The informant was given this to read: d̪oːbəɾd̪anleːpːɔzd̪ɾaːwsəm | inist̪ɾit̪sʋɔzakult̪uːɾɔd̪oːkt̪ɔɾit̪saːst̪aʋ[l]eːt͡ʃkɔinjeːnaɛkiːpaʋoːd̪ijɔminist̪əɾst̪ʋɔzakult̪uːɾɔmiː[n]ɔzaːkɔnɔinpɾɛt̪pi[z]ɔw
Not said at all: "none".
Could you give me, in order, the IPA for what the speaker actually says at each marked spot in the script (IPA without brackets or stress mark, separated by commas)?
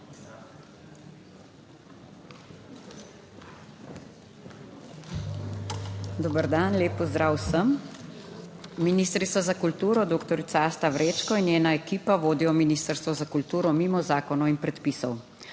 ɾ, m, s